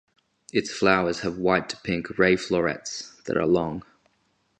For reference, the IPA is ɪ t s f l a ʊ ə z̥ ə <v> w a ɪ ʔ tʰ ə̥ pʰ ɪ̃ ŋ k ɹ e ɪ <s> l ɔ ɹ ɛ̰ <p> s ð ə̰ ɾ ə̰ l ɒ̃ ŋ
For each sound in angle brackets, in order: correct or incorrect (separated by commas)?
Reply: correct, incorrect, incorrect